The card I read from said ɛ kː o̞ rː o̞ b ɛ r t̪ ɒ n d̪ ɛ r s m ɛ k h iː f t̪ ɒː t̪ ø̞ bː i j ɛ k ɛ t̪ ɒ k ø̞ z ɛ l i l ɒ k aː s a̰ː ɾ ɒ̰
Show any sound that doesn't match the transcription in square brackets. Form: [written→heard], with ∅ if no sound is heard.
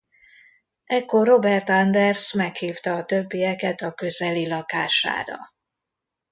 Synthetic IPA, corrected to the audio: ɛ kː o̞ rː o̞ b ɛ r t̪ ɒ n d̪ ɛ r s m ɛ k h iː f t̪ ɒː t̪ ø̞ bː i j ɛ k ɛ t̪ ɒ k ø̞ z ɛ l i l ɒ k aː [s→ʃ] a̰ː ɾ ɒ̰